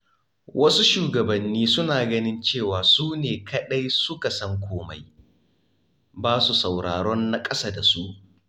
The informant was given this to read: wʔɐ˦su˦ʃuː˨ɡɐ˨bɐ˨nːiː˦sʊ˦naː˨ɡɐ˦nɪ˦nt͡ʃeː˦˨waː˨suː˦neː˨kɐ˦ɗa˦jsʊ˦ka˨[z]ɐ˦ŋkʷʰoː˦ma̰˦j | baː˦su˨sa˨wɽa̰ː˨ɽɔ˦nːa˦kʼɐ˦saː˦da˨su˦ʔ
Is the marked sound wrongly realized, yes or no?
yes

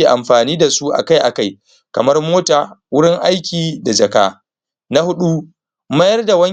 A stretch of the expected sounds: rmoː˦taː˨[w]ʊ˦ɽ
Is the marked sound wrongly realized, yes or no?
no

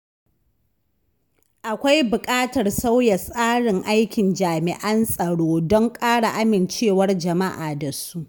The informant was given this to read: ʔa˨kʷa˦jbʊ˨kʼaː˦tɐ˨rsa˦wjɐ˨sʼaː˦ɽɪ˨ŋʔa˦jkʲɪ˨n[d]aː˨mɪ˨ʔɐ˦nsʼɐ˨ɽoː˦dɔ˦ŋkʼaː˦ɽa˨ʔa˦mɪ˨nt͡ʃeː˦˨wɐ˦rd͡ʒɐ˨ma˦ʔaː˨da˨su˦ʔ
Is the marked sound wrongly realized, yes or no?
yes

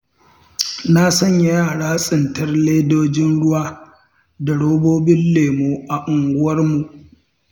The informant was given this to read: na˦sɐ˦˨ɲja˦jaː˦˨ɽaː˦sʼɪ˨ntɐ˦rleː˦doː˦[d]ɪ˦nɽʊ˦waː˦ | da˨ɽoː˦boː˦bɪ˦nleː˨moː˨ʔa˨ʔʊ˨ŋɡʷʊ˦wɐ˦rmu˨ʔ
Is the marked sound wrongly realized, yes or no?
yes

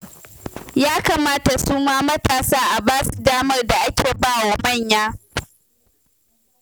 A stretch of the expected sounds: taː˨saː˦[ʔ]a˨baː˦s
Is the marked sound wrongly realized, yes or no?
no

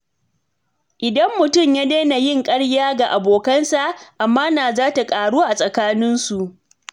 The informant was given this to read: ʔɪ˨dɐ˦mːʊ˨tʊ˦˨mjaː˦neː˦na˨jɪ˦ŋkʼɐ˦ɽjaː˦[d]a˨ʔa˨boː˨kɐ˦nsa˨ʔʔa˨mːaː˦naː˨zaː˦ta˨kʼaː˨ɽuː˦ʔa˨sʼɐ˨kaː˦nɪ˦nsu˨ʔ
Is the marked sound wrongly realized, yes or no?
yes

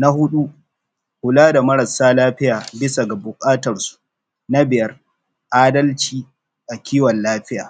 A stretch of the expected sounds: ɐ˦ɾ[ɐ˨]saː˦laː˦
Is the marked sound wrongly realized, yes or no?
no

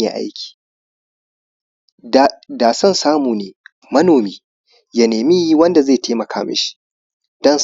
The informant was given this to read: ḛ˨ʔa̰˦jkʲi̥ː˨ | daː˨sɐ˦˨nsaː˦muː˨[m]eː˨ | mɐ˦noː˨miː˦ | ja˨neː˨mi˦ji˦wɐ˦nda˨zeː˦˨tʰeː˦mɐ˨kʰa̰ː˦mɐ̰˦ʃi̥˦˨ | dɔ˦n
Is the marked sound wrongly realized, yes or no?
yes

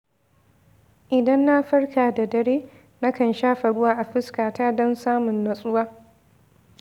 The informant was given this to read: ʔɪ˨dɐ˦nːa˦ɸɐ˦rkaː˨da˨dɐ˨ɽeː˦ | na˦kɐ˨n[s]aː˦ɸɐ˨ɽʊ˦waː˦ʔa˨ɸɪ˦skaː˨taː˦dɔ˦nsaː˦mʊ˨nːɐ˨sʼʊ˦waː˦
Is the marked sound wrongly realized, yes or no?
yes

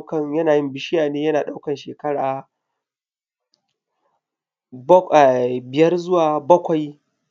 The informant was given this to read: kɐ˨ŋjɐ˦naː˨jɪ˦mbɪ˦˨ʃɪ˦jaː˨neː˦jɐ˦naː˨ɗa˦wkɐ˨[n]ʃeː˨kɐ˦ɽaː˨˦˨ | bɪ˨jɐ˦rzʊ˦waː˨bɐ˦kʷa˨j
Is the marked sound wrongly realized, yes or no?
no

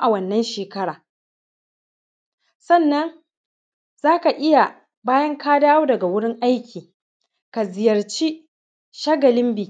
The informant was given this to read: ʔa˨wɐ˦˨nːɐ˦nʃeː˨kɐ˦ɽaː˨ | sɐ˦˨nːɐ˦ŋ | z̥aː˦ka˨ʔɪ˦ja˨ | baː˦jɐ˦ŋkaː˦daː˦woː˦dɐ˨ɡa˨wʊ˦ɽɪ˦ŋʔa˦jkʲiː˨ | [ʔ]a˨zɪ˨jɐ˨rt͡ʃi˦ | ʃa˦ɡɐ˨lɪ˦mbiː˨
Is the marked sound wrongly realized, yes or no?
yes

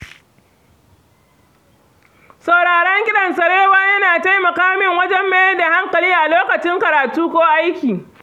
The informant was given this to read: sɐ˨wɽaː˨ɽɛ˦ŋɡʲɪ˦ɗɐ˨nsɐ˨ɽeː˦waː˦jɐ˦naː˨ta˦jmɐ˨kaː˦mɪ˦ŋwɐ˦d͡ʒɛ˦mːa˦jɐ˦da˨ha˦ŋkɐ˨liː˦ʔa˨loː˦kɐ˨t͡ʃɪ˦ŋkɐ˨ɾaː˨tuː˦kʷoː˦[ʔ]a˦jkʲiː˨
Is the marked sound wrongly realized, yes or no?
no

